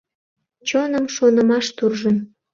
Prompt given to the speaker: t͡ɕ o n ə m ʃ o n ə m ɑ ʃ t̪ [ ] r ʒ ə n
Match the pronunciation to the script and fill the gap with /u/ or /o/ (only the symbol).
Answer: u